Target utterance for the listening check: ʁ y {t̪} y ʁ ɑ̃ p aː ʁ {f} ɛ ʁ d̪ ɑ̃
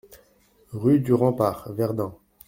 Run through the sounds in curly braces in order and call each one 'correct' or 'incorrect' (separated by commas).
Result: incorrect, incorrect